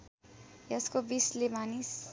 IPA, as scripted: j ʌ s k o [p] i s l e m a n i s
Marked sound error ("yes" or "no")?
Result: yes